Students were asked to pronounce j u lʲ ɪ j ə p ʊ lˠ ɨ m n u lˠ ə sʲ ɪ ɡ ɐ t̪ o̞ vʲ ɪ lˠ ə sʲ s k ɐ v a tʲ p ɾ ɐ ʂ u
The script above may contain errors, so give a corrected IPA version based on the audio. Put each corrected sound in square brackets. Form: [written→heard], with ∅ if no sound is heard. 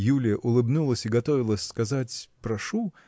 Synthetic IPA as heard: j u lʲ ɪ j ə [p→ʔ] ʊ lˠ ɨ [m→b] n u lˠ ə sʲ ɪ ɡ ɐ t̪ o̞ vʲ ɪ lˠ ə sʲ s k ɐ [v→z] a tʲ p ɾ ɐ ʂ u